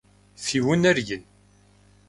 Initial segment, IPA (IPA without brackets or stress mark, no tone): θ